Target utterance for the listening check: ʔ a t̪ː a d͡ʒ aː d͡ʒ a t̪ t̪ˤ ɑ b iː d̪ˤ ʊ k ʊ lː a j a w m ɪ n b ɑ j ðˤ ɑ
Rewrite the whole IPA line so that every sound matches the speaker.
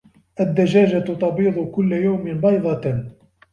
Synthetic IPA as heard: ʔ a d̪ː a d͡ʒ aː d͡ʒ a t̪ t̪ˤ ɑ b iː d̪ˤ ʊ k ʊ lː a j a w m ɪ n b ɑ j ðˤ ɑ